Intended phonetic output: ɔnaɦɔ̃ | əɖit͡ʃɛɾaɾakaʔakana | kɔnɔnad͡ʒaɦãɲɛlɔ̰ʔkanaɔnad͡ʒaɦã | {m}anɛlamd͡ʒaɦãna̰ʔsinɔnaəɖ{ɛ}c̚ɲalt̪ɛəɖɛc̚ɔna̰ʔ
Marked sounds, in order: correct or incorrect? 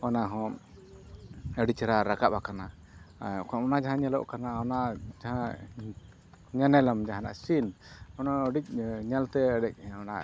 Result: incorrect, incorrect

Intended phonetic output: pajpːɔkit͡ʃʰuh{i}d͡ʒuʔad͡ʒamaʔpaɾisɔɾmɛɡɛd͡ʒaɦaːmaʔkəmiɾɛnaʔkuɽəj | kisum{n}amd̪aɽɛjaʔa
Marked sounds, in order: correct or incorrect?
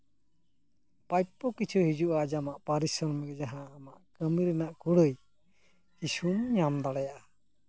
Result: correct, incorrect

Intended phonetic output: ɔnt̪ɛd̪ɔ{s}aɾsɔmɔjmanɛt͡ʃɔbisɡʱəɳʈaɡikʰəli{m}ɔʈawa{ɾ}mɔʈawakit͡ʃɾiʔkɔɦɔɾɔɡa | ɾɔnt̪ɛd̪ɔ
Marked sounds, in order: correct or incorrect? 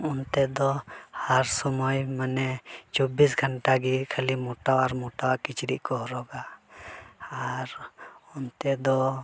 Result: incorrect, correct, correct

